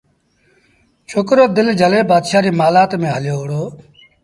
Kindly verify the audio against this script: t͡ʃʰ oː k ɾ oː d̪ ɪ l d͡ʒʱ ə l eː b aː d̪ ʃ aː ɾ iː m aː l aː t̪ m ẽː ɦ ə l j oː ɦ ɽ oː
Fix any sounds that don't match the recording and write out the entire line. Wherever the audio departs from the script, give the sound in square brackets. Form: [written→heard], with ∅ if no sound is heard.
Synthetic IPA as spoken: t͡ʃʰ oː k ɾ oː d̪ ɪ l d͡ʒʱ ə l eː b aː d̪ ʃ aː ɾ iː m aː l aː t̪ m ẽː ɦ ə l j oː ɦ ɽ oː